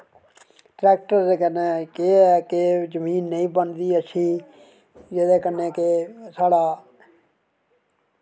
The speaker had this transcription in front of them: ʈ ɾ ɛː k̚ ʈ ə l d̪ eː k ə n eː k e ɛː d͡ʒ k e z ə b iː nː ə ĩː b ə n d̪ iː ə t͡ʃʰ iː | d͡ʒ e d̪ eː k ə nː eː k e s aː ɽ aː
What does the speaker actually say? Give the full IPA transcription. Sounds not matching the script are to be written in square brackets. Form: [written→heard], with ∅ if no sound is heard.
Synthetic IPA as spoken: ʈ ɾ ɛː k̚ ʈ ə [l→ɾ] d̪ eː k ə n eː k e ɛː [d͡ʒ→∅] k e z ə [b→m] iː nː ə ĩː b ə n d̪ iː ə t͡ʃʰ iː | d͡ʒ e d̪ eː k ə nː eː k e s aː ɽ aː